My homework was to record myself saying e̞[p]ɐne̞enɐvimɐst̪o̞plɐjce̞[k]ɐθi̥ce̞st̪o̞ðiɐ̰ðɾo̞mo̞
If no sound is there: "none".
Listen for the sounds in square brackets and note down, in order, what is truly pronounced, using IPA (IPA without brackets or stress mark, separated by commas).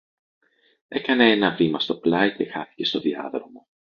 k, x